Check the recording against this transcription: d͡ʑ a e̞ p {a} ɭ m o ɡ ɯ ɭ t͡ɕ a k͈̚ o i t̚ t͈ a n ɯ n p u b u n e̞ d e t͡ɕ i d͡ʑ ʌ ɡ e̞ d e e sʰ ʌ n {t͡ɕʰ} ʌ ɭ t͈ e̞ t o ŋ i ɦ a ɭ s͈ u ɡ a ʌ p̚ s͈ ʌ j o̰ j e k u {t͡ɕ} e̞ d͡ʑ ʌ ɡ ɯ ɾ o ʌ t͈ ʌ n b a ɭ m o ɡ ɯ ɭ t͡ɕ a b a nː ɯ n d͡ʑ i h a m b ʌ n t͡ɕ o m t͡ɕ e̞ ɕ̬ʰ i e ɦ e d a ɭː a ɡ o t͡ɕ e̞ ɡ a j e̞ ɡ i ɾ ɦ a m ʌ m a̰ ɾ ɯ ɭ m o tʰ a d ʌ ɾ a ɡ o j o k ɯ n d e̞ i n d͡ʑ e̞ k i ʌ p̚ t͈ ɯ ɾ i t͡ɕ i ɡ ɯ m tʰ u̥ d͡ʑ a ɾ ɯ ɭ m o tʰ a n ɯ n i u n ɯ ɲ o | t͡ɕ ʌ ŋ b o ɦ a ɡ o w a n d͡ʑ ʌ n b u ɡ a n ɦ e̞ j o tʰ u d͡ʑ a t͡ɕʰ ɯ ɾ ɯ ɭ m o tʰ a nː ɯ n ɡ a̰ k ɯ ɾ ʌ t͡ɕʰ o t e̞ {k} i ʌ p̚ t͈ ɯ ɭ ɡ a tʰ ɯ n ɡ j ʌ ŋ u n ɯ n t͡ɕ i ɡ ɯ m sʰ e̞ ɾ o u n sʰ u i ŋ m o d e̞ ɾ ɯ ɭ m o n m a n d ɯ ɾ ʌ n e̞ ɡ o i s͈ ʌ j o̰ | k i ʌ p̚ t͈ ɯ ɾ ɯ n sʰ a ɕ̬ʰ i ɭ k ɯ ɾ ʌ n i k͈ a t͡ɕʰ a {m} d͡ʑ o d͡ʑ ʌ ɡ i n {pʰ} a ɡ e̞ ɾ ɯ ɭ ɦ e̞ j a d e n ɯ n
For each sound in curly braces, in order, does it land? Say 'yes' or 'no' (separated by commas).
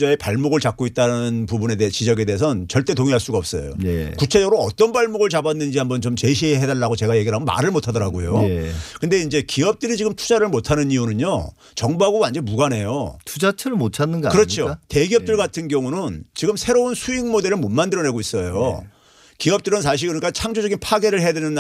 yes, no, no, no, no, yes